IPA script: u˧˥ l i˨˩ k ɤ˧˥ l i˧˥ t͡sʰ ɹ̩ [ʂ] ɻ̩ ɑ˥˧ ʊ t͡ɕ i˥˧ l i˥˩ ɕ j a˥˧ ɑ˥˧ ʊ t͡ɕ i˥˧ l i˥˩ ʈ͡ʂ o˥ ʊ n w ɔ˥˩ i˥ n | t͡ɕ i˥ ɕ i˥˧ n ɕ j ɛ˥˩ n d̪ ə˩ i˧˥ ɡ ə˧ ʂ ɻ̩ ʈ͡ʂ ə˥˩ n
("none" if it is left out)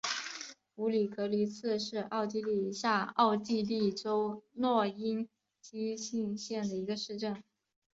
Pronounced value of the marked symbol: ʂ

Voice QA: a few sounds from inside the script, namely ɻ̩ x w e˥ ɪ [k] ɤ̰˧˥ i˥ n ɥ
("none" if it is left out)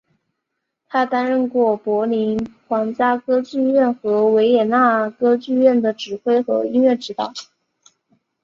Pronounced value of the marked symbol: x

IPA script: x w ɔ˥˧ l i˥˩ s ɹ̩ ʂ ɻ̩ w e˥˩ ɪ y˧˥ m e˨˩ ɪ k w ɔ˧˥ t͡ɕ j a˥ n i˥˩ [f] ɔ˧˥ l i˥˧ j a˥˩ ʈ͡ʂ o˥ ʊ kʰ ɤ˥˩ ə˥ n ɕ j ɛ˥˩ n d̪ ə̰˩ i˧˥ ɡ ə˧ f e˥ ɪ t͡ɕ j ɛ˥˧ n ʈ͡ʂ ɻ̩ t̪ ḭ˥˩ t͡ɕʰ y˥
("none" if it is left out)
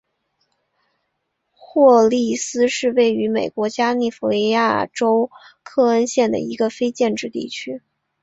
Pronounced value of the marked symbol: f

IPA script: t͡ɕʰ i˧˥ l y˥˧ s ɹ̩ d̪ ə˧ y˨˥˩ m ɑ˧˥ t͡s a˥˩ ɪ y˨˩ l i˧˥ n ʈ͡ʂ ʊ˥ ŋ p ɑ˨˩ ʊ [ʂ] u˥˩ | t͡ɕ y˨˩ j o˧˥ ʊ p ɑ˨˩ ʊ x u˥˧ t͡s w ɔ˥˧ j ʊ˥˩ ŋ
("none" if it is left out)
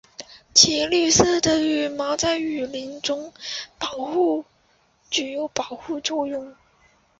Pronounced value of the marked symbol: x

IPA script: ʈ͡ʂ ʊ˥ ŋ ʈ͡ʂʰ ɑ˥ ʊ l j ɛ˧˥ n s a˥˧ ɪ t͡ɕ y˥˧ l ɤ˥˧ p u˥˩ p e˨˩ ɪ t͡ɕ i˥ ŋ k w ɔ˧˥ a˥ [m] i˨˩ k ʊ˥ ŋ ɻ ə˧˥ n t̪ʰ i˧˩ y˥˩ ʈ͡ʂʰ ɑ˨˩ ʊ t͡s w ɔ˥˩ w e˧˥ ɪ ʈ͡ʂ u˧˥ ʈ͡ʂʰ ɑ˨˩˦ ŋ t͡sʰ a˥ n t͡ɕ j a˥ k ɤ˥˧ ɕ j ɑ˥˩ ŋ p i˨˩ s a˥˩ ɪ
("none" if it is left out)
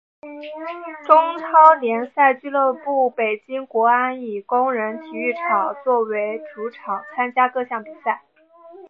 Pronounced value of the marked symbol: n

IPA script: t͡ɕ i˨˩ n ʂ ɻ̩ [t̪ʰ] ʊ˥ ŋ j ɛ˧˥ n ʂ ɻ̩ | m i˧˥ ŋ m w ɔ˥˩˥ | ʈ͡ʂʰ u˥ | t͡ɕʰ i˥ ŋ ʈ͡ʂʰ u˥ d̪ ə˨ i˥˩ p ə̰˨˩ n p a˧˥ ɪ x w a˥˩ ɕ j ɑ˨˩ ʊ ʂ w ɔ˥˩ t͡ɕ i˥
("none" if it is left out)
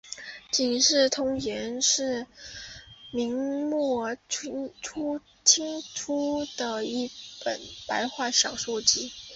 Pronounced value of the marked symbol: t̪ʰ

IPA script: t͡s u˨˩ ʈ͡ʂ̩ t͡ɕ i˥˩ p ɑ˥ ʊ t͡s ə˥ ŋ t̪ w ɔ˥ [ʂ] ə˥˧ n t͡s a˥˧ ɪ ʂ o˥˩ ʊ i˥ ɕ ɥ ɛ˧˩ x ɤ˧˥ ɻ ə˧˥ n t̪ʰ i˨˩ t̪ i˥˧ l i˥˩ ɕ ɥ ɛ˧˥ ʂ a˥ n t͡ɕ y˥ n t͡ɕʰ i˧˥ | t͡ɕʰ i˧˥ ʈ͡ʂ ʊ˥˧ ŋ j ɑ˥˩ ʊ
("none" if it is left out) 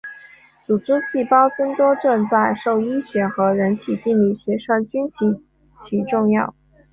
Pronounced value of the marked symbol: ʈ͡ʂ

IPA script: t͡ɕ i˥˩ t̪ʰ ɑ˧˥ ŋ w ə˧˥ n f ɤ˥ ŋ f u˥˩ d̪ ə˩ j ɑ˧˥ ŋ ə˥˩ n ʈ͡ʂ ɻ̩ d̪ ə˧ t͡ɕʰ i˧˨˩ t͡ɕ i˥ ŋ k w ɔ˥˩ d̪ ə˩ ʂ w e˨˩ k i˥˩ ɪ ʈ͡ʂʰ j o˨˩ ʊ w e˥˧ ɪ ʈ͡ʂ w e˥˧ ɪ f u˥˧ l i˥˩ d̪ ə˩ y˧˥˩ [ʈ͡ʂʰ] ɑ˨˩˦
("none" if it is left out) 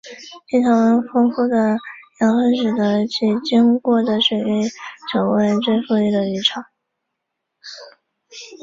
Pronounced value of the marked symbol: ʈ͡ʂʰ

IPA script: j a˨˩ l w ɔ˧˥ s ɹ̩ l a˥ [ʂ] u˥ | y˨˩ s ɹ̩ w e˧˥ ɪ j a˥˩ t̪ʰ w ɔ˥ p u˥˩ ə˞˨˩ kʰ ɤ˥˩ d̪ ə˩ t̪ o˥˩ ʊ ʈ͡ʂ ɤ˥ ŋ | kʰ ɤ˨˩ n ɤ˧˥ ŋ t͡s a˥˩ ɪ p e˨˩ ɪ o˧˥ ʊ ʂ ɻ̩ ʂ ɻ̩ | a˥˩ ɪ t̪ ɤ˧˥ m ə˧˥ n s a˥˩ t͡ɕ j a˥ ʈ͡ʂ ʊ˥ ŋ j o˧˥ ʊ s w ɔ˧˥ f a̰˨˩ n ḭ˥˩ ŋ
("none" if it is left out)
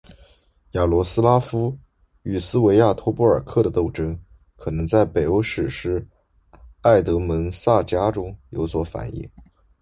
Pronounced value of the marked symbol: f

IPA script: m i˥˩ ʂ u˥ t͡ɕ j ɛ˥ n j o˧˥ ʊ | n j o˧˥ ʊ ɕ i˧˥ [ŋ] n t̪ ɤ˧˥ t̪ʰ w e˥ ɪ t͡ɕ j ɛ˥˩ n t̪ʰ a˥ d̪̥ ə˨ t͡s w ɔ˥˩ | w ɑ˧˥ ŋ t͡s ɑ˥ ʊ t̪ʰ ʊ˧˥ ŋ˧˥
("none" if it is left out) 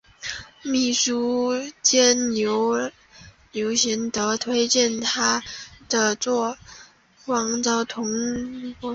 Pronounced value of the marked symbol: none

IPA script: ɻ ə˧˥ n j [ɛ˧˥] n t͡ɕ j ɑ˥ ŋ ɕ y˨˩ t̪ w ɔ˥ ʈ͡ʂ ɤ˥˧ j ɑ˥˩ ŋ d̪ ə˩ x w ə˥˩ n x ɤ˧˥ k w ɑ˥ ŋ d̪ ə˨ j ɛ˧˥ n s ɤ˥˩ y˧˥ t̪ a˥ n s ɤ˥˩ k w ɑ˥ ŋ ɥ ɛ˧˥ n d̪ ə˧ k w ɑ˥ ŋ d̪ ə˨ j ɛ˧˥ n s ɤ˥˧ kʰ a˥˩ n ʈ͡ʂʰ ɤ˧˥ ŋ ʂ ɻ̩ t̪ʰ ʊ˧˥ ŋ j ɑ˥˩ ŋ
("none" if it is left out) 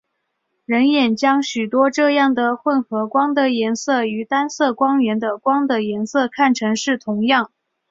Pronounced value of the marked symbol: ɛ˨˩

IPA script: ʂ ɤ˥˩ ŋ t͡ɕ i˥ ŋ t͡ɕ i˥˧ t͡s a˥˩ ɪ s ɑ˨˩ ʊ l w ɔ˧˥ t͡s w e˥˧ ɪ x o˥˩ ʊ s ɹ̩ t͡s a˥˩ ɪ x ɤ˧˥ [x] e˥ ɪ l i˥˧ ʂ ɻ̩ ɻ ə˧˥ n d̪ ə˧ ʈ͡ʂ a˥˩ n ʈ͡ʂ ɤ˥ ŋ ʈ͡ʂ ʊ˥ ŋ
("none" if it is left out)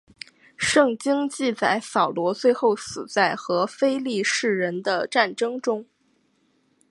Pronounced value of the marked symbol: f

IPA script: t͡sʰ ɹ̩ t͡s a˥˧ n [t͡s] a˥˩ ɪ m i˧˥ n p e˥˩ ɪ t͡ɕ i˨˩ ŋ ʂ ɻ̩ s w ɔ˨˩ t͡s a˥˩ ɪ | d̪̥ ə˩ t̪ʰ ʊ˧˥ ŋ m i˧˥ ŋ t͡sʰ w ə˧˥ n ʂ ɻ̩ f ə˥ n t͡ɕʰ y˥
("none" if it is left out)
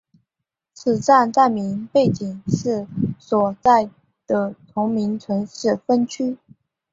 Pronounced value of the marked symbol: t͡s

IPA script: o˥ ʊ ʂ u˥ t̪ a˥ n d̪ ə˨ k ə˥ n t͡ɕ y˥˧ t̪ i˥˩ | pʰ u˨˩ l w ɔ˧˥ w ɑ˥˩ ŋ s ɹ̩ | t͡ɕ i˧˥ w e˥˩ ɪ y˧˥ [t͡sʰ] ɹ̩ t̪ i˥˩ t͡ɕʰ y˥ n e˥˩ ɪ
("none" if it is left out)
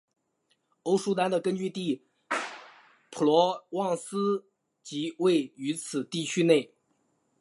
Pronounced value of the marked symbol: t͡sʰ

